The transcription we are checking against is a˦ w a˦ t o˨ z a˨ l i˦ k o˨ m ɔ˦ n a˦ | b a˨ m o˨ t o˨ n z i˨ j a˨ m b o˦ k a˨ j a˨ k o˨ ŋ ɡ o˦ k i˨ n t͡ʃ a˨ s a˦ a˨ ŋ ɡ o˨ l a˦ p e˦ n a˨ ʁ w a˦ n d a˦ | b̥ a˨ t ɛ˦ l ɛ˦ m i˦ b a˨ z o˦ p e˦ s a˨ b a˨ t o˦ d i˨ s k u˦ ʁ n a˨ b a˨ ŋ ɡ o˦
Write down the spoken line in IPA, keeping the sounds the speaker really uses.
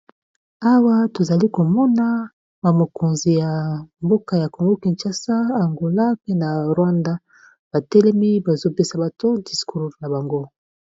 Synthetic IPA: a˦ w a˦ t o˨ z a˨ l i˦ k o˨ m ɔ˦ n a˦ | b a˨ m o˨ k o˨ n z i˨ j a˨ m b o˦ k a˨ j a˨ k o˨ ŋ ɡ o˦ k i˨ n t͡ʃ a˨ s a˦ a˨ ŋ ɡ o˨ l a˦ p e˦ n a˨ ʁ w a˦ n d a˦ | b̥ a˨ t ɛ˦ l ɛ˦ m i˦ b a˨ z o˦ p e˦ s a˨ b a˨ t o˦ d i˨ s k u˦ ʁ n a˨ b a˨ ŋ ɡ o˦

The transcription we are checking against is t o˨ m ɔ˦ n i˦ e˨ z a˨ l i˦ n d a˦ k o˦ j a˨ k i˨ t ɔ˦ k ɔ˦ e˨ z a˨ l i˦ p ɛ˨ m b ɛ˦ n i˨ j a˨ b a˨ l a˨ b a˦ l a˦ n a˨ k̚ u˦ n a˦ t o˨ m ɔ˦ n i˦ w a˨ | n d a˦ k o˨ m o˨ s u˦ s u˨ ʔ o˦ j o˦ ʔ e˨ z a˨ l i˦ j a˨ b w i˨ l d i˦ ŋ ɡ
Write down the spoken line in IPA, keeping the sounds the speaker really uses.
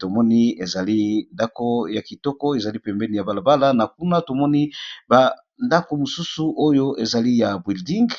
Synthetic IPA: t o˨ m ɔ˦ n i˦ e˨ z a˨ l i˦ n d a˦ k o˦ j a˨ k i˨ t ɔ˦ k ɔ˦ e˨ z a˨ l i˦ p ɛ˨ m b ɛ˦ n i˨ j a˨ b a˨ l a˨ b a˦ l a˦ n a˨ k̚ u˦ n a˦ t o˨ m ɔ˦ n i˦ b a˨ | n d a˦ k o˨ m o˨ s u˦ s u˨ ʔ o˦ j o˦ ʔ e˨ z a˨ l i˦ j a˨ b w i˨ l d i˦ ŋ ɡ

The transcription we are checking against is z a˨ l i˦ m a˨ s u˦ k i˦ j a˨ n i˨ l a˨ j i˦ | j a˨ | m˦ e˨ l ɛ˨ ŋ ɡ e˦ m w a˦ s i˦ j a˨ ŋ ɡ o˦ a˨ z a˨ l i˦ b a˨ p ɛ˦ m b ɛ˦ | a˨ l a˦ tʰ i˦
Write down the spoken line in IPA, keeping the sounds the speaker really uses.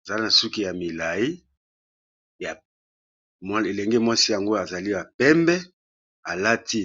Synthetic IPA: z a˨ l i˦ n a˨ s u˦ k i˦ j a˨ m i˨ l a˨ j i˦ | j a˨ | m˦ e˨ l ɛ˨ ŋ ɡ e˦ m w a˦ s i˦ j a˨ ŋ ɡ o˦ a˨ z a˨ l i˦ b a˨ p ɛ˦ m b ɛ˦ | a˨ l a˦ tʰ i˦

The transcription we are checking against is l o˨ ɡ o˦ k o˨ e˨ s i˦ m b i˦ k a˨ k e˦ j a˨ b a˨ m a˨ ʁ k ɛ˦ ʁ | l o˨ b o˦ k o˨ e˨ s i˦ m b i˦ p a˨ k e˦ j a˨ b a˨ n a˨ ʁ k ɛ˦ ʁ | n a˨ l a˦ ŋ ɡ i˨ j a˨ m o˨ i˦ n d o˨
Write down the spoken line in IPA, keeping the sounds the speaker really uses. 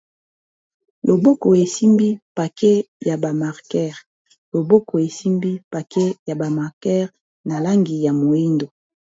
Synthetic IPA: l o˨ b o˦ k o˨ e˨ s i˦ m b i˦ p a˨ k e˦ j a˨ b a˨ m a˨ ʁ k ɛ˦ ʁ | l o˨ b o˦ k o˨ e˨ s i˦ m b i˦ p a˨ k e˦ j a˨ b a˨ m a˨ ʁ k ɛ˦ ʁ | n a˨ l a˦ ŋ ɡ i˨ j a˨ m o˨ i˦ n d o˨

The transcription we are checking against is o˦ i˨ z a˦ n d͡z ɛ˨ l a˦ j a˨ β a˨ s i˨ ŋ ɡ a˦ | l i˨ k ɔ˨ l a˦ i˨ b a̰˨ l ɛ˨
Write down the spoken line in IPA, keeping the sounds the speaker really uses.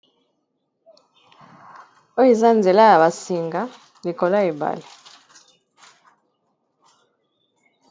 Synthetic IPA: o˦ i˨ z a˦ n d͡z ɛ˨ l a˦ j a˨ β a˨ s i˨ ŋ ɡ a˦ | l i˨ k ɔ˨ l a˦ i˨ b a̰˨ l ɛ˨

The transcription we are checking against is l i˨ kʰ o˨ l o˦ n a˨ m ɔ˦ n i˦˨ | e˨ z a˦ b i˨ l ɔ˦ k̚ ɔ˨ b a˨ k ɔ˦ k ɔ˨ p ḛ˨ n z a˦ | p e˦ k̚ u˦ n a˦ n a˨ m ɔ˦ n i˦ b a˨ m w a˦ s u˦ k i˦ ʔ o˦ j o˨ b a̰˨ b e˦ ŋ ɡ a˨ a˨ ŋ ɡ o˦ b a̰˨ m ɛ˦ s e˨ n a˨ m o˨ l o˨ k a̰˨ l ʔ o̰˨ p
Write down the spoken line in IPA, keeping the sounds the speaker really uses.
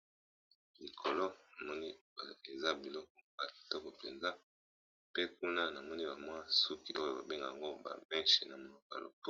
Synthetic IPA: l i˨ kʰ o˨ l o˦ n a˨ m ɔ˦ n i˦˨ | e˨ z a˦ b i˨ l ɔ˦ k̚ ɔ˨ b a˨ t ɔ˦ k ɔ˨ p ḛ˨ n z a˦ | p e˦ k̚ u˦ n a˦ n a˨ m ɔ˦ n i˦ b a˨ m w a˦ s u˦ k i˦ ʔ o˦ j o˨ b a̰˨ b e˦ ŋ ɡ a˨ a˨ ŋ ɡ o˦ b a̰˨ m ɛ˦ ʃ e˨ n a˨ m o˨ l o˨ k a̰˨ l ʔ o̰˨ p

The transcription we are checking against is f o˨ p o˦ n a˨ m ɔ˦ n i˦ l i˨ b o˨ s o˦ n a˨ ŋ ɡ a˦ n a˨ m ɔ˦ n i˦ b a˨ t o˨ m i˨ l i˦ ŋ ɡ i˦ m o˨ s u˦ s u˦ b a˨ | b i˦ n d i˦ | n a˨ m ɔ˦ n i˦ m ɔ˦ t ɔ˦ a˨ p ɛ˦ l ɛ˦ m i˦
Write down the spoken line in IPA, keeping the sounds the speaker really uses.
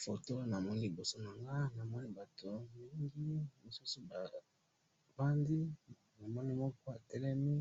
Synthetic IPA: f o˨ t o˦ n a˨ m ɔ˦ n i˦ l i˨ b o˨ s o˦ n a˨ ŋ ɡ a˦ n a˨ m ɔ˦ n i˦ b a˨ t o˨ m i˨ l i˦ ŋ ɡ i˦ m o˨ s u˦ s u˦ b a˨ | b a˦ n d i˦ | n a˨ m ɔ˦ n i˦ m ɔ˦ k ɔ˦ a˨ t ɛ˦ l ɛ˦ m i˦

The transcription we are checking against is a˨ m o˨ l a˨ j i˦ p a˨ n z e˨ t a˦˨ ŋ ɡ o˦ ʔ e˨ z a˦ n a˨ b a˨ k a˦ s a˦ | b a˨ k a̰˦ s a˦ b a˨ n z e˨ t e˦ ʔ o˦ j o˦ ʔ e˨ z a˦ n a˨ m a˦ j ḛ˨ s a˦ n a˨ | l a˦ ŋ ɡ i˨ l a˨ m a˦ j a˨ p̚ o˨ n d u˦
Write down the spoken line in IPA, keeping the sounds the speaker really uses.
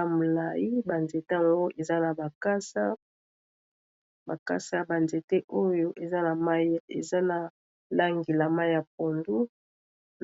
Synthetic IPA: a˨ m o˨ l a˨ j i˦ b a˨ n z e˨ t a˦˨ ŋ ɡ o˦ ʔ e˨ z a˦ n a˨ b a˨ k a˦ s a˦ | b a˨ k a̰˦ s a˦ b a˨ n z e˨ t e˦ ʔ o˦ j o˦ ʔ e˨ z a˦ n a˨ m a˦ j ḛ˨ z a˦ n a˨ | l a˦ ŋ ɡ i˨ l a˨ m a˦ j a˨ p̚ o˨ n d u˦

